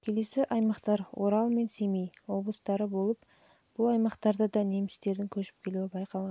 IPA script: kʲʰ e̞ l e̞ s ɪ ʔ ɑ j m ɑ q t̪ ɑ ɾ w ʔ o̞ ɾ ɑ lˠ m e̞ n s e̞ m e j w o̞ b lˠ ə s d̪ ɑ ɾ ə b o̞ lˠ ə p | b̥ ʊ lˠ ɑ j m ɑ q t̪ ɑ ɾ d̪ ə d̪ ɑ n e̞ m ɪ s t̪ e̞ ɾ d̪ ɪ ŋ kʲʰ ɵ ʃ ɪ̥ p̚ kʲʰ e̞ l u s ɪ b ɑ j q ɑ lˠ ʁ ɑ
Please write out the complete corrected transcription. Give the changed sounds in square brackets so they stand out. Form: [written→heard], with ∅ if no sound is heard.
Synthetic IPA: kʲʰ e̞ l e̞ s ɪ ʔ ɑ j m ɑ q t̪ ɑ ɾ w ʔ o̞ ɾ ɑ lˠ m e̞ n s e̞ m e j w o̞ b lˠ ə s [d̪→t̪] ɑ ɾ ə b o̞ lˠ ə p | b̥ ʊ lˠ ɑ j m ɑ q t̪ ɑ ɾ d̪ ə d̪ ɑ n e̞ m ɪ s t̪ e̞ ɾ d̪ ɪ ŋ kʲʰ ɵ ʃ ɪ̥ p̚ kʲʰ e̞ l u [s→∅] ɪ b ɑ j q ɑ lˠ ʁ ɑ